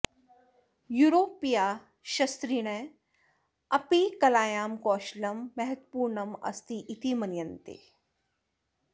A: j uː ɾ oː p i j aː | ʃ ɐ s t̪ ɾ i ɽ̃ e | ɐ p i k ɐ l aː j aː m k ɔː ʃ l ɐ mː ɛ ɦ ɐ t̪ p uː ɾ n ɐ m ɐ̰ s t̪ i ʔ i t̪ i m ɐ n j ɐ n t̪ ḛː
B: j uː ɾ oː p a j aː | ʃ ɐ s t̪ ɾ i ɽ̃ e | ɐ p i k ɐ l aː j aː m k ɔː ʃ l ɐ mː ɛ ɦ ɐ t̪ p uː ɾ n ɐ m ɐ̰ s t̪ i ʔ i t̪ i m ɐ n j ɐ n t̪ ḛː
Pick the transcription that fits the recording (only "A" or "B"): A